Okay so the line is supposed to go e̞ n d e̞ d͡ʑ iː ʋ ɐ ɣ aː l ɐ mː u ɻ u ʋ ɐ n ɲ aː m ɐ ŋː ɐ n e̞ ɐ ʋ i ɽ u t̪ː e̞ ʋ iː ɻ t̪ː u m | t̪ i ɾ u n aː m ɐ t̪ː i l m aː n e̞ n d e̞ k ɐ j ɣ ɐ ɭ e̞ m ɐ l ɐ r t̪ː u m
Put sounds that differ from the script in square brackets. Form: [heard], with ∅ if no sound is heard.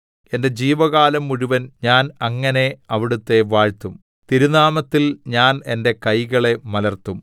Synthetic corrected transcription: e̞ n d e̞ d͡ʑ iː ʋ ɐ ɣ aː l ɐ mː u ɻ u ʋ ɐ n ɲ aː [n] ɐ ŋː ɐ n e̞ ɐ ʋ i ɽ u t̪ː e̞ ʋ [aː] ɻ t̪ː u m | t̪ i ɾ u n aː m ɐ t̪ː i l [ɲ] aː n e̞ n d e̞ k ɐ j ɣ ɐ ɭ e̞ m ɐ l ɐ r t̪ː u m